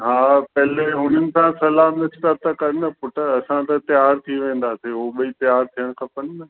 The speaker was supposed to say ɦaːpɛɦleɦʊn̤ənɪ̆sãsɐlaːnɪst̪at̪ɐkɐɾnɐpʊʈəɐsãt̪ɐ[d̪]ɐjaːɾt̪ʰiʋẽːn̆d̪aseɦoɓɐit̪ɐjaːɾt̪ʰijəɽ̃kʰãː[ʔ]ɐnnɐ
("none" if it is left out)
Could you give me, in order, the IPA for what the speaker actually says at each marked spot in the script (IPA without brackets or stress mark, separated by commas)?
t̪, p